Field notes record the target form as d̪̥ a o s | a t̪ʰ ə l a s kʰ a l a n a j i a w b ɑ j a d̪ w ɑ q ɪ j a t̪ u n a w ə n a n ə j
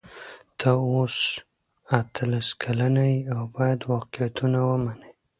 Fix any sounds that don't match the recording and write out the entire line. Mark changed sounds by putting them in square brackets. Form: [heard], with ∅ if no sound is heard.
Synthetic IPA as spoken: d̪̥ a o s | a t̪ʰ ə l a s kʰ a l a n a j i a w b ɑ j a d̪ w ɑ q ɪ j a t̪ u n a w ə [m] a n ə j